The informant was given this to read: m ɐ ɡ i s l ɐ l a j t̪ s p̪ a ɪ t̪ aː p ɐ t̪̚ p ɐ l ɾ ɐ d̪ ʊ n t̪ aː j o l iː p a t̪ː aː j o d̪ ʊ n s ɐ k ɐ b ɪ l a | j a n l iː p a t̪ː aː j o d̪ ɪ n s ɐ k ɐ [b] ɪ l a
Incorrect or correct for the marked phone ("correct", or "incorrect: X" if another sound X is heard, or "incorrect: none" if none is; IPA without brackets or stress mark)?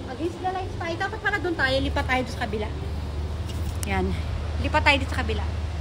correct